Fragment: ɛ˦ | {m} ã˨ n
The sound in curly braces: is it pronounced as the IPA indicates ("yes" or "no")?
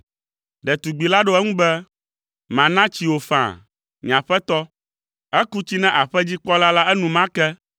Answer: yes